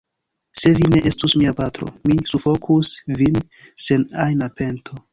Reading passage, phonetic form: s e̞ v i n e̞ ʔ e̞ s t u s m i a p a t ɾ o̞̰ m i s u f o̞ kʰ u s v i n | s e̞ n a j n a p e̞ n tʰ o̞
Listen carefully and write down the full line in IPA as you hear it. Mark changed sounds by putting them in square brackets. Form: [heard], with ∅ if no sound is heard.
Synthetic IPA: s e̞ v i n e̞ ʔ e̞ s t u s m i a p a t ɾ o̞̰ m i s u f o̞ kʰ u s v i n | s e̞ n a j n a p e̞ n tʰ o̞